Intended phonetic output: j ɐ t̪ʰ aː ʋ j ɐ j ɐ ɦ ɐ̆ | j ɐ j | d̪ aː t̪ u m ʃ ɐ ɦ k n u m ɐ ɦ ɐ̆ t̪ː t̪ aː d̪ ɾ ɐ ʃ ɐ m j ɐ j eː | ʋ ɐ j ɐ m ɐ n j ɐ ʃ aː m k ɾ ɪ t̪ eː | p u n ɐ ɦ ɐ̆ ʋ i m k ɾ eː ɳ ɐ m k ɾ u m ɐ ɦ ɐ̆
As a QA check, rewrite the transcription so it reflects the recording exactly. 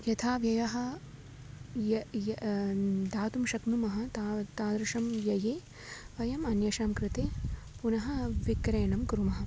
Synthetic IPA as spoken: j ɐ t̪ʰ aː ʋ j ɐ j ɐ ɦ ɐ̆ | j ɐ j | d̪ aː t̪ u m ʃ ɐ k n u m ɐ ɦ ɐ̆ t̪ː t̪ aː d̪ ɾ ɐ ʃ ɐ m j ɐ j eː | ʋ ɐ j ɐ m ɐ n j ɐ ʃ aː m k ɾ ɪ t̪ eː | p u n ɐ ɦ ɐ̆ ʋ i k ɾ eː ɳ ɐ m k ɾ u m ɐ ɦ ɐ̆